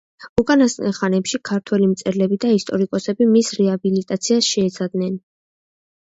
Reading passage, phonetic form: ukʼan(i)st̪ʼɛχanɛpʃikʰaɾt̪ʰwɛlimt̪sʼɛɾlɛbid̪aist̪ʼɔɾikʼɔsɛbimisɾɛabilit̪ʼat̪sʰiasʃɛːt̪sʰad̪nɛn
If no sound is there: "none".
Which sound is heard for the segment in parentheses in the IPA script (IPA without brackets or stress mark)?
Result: a